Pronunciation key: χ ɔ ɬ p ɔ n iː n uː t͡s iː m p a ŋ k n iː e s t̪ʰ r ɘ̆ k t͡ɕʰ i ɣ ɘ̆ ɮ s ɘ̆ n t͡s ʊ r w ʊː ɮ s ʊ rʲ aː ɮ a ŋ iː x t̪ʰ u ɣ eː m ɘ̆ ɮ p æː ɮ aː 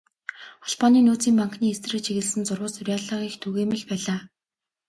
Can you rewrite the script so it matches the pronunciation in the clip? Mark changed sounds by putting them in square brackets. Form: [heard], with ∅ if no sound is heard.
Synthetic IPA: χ ɔ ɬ p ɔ n iː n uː t͡s iː m p a ŋ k n iː e s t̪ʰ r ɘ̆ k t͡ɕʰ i ɣ ɘ̆ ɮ s ɘ̆ n t͡s ʊ r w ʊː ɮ s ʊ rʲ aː ɮ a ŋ iː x t̪ʰ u ɣ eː m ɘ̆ ɮ p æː ɮ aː